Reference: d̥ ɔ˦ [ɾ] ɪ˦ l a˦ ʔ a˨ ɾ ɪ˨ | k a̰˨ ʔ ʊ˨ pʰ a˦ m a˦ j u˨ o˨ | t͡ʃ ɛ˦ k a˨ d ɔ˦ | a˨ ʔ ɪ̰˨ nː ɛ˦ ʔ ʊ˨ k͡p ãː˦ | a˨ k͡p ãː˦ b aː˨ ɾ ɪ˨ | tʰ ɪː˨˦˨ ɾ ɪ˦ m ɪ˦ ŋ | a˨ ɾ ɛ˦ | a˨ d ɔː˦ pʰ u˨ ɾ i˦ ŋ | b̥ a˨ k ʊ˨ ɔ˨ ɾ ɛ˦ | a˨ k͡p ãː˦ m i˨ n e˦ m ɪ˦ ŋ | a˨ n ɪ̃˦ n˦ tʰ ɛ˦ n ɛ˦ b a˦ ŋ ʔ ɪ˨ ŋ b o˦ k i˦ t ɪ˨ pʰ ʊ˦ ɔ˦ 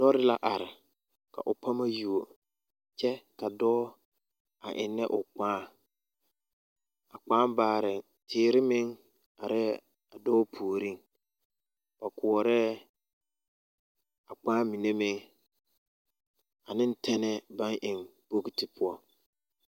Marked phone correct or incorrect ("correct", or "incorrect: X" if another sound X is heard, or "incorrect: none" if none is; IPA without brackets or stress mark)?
correct